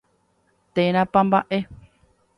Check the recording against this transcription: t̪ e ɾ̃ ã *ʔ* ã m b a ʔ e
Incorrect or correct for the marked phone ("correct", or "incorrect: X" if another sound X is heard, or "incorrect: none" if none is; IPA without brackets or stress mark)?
incorrect: p